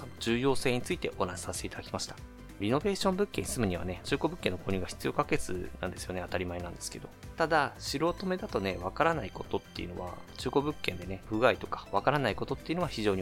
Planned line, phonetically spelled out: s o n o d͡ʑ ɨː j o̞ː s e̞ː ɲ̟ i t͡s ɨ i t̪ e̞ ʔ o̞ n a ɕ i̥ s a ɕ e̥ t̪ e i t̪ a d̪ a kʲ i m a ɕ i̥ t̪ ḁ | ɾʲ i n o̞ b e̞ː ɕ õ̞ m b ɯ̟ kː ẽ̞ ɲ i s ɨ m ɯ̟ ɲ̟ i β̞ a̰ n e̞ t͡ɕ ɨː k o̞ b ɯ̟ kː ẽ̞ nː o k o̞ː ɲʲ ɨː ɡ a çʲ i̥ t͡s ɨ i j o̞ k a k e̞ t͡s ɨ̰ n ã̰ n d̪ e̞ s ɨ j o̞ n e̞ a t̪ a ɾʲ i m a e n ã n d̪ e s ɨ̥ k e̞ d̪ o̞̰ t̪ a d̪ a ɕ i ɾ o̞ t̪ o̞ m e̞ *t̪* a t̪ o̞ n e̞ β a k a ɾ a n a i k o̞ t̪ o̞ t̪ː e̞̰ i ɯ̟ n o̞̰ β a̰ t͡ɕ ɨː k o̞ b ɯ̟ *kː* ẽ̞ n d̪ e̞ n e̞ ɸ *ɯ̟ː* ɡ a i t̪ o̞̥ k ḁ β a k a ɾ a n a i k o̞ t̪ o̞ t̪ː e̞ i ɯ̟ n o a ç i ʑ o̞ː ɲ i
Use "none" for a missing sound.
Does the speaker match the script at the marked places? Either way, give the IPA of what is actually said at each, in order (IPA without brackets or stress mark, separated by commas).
d̪, kː, ɯ̟